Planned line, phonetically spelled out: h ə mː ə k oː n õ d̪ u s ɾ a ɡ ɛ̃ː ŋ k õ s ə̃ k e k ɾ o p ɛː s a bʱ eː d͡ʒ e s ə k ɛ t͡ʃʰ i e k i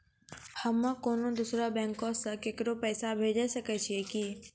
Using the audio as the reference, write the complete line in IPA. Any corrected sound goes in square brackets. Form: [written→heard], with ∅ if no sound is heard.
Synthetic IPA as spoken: h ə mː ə k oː n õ d̪ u s ɾ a [ɡ→b] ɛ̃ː ŋ k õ s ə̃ k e k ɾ o p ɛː s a bʱ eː d͡ʒ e s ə k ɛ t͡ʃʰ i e k i